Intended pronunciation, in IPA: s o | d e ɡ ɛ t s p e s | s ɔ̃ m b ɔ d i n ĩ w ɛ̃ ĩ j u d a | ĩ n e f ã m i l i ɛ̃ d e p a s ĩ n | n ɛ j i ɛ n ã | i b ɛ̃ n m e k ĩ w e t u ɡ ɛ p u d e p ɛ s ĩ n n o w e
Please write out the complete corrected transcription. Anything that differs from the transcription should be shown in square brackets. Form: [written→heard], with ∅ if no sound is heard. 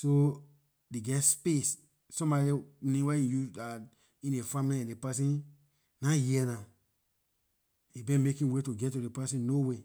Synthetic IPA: s o | d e ɡ ɛ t s p e s | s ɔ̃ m b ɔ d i n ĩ w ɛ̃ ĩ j u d a | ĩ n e f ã m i l i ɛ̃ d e p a s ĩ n | n [ɛ→a] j i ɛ n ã | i b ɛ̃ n m e k ĩ w e t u ɡ ɛ [p→t] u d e p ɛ s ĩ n n o w e